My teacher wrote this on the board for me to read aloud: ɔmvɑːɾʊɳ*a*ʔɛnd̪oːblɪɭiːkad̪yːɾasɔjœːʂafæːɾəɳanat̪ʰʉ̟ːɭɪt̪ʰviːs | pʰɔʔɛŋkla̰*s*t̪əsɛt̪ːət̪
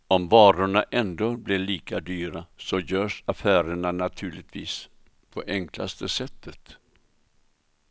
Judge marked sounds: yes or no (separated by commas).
yes, yes